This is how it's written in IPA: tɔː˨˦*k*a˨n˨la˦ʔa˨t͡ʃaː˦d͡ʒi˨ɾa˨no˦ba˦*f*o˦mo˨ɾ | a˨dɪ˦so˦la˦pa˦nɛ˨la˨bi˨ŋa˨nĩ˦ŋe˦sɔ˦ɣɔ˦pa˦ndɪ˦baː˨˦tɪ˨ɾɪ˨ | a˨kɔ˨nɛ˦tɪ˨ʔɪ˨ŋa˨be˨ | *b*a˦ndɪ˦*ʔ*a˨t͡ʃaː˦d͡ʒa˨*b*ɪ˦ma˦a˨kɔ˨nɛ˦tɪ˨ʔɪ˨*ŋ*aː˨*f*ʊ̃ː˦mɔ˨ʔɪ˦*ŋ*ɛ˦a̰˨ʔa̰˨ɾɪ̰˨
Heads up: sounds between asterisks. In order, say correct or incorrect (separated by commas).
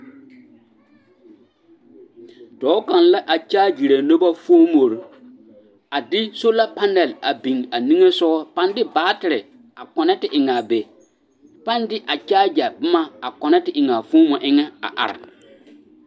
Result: correct, correct, incorrect, correct, correct, correct, correct, correct